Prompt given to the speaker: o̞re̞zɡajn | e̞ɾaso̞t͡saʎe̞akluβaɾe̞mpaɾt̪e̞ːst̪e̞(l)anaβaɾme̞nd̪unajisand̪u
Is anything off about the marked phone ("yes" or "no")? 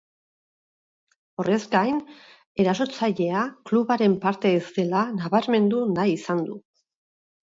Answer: no